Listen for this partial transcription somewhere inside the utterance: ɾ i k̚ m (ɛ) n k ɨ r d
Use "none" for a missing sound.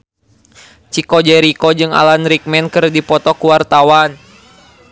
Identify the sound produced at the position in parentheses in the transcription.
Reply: ɛ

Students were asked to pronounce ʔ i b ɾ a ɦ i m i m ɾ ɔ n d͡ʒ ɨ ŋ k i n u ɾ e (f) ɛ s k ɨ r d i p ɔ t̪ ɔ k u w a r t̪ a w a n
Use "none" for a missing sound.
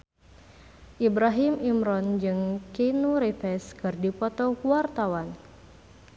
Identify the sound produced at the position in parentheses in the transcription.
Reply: f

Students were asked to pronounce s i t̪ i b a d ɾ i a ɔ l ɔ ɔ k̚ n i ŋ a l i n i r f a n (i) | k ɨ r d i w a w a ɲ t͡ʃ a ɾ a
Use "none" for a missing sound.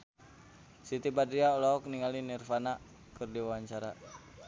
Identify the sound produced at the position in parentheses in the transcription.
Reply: a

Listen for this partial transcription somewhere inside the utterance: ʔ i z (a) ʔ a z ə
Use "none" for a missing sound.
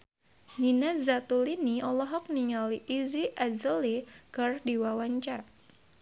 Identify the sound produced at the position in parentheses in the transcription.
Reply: i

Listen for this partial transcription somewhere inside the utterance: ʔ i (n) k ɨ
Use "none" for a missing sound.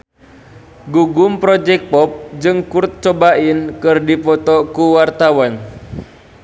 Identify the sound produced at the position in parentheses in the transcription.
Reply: n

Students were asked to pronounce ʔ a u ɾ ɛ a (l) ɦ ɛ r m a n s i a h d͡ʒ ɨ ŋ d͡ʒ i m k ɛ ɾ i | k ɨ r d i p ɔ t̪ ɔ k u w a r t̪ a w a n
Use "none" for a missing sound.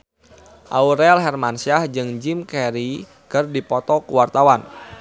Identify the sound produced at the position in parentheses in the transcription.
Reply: l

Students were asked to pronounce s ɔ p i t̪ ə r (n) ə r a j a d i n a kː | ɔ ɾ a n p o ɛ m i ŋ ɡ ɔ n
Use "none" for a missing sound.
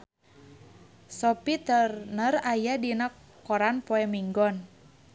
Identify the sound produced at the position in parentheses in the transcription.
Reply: n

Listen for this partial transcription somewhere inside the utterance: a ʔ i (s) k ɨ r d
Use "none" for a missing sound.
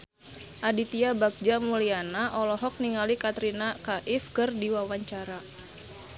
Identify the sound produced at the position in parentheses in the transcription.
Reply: f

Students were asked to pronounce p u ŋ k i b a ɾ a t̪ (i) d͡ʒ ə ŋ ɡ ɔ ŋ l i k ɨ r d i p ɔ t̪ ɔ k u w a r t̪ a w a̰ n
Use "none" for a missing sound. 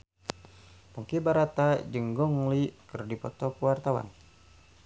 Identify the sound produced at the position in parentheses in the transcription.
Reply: a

